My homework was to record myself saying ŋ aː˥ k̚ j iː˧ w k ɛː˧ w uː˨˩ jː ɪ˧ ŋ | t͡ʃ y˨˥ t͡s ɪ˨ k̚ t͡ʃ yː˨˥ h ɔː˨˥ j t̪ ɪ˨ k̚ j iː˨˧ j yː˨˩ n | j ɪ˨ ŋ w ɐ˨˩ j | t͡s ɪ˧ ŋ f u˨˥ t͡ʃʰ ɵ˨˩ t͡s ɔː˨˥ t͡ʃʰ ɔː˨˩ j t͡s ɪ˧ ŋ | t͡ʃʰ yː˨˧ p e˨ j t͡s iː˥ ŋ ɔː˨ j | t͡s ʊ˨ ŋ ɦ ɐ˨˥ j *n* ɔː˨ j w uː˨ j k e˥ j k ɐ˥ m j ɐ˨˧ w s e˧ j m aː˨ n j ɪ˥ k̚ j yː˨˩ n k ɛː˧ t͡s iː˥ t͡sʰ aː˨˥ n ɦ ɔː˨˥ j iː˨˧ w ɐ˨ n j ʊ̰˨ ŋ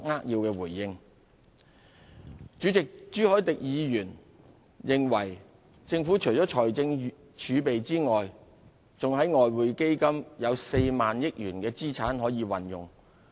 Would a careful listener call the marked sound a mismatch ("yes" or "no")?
yes